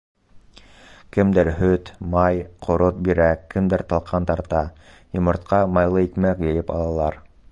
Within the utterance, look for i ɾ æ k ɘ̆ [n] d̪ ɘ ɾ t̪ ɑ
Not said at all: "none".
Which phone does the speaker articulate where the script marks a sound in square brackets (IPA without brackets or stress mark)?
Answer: m